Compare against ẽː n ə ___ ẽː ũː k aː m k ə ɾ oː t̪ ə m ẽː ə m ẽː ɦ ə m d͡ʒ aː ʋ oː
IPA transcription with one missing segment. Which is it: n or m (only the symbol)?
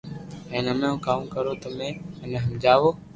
m